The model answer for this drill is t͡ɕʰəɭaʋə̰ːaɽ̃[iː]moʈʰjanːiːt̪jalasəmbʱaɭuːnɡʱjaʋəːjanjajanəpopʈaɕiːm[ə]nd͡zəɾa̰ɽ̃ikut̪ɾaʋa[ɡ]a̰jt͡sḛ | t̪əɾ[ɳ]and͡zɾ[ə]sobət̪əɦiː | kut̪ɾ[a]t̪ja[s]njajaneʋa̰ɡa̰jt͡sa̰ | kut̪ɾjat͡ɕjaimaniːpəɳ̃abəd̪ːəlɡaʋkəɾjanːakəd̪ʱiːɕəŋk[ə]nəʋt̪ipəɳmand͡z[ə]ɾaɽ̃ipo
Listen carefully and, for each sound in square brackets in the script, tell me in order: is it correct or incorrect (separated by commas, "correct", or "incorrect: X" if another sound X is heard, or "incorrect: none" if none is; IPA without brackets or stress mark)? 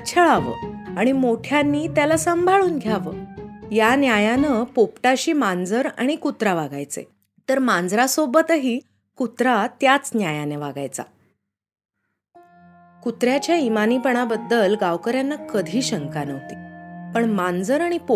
incorrect: i, incorrect: a, correct, incorrect: m, incorrect: a, correct, incorrect: t͡s, incorrect: a, correct